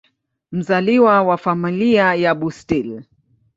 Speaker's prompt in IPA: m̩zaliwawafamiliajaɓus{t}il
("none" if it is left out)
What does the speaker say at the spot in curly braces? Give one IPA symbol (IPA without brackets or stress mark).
t